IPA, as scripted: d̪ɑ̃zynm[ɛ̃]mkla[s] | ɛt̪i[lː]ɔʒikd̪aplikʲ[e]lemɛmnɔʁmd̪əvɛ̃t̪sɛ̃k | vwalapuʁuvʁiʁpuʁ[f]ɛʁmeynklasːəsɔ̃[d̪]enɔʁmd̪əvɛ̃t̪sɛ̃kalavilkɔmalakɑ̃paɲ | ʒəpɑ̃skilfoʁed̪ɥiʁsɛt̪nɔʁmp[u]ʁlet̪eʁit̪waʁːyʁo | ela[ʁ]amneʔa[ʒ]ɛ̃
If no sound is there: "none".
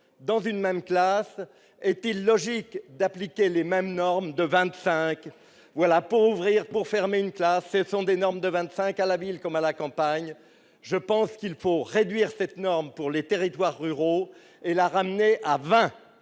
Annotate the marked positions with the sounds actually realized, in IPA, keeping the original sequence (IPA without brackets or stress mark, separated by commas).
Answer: ɛ, s, lː, e, f, d̪, u, ʁ, v